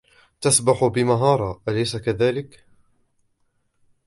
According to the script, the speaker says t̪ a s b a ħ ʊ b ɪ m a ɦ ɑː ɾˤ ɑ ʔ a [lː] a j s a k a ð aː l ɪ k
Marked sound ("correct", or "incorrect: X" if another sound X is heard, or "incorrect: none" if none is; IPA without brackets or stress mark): incorrect: l